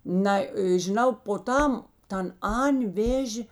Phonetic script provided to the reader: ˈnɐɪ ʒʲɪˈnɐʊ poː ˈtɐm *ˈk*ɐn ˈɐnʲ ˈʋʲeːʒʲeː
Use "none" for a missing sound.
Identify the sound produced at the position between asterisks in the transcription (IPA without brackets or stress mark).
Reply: t